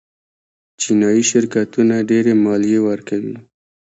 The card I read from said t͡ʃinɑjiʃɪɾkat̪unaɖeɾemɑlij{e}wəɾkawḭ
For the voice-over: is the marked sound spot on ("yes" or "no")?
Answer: yes